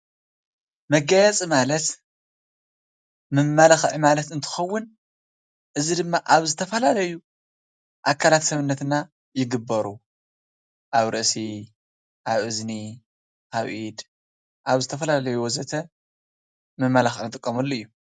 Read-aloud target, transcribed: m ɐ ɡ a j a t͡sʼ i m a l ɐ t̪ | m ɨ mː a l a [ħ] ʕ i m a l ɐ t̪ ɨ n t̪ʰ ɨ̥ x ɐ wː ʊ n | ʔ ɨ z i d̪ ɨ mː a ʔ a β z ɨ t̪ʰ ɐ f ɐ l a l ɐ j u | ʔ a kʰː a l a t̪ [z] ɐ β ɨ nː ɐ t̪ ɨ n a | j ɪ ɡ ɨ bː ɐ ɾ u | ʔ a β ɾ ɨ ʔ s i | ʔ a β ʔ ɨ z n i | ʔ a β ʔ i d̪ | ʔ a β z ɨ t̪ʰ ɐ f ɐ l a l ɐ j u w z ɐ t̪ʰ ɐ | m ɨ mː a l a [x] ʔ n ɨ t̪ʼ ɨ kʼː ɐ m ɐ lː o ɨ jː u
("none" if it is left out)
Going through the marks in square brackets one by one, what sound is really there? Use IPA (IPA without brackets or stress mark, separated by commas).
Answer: x, s, x